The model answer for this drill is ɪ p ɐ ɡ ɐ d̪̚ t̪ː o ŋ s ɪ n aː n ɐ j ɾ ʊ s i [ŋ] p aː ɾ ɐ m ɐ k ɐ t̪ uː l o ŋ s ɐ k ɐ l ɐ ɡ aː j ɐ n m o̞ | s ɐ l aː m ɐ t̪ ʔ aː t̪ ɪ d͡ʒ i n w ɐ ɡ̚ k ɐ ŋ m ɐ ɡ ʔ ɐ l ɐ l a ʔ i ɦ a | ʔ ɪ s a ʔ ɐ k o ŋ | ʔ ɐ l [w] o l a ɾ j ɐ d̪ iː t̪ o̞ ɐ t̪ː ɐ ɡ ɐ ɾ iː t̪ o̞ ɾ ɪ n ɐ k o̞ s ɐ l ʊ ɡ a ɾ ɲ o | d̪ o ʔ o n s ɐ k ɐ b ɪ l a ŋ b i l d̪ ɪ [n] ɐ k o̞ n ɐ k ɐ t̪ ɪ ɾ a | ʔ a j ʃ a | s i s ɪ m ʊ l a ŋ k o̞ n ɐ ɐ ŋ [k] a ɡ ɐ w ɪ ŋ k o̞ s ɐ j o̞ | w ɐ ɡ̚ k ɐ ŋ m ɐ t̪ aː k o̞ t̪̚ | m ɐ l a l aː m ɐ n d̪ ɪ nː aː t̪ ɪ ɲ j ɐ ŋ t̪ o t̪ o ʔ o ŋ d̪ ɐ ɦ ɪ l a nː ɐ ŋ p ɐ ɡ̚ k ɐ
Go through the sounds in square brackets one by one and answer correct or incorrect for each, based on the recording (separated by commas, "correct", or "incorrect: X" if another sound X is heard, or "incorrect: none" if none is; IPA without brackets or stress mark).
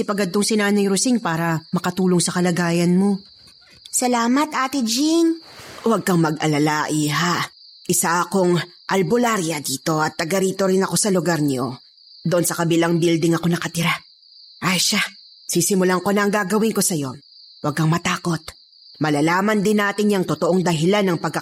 correct, incorrect: b, incorrect: ŋ, incorrect: ɡ